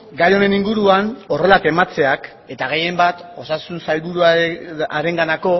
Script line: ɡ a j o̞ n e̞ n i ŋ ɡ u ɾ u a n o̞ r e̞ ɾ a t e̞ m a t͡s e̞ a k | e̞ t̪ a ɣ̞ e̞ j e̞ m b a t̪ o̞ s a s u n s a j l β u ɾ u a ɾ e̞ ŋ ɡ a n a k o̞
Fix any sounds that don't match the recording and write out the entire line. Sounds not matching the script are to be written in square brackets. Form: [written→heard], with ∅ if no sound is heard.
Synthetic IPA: ɡ a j o̞ n e̞ n i ŋ ɡ u ɾ u a n o̞ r e̞ [ɾ→l] a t e̞ m a t͡s e̞ a k | e̞ t̪ a ɣ̞ e̞ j e̞ m b a t̪ o̞ s a s u n s a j l β u ɾ u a ɾ e̞ ŋ ɡ a n a k o̞